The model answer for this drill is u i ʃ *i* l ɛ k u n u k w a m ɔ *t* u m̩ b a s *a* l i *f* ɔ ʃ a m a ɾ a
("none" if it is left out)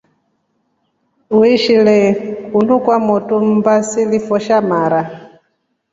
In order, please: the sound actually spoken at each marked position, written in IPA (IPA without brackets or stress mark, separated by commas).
i, t, i, f